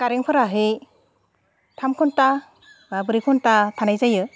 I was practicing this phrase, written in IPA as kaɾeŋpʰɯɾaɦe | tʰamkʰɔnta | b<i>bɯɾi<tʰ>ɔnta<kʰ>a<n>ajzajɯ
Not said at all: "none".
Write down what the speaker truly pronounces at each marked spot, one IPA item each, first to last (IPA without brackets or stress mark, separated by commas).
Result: a, kʰ, tʰ, n